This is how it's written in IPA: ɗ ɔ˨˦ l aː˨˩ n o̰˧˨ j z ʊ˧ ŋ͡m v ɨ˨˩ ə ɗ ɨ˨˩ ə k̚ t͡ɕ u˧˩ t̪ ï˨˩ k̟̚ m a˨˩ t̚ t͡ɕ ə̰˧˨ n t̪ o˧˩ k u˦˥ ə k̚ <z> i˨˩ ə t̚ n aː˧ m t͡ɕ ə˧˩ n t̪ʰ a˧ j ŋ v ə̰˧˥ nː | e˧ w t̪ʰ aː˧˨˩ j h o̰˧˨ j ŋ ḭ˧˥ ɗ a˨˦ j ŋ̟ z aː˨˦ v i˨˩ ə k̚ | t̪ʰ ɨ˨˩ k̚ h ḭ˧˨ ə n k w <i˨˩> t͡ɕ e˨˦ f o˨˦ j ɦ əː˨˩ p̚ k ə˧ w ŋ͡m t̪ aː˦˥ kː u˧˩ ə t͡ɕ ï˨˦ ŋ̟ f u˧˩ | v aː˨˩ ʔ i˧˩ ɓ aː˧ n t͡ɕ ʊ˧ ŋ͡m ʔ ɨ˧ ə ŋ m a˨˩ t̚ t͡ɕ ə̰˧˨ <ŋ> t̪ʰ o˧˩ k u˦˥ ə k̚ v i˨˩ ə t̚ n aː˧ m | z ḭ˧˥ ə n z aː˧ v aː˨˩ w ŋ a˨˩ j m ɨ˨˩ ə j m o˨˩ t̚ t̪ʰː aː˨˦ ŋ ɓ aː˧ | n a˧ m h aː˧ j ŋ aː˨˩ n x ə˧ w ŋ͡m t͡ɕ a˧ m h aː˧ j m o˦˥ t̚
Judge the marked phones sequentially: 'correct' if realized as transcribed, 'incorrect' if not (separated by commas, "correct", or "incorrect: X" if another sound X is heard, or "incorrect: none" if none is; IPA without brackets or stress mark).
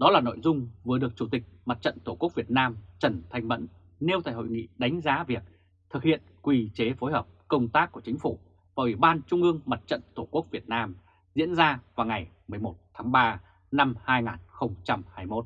incorrect: v, correct, incorrect: n